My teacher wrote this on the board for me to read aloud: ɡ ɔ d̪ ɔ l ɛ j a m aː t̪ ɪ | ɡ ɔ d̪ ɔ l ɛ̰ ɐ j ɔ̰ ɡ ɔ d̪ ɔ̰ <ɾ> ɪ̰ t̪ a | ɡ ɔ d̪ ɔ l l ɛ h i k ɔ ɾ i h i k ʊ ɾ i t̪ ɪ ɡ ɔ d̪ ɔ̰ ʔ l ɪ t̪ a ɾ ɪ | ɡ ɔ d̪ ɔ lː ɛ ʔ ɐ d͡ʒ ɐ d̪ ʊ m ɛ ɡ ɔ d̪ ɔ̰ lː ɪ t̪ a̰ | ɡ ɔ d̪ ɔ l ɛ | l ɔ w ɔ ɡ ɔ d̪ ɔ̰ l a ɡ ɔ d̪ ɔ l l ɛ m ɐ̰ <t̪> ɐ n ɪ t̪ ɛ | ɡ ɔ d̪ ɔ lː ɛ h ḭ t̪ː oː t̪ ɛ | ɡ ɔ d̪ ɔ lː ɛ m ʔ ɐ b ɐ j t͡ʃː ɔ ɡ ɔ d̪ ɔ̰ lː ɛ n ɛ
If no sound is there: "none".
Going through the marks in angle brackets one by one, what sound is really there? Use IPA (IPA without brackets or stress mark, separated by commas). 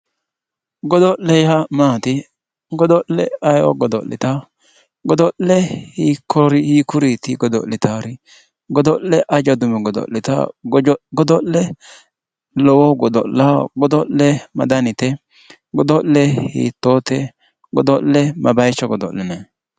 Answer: l, d̪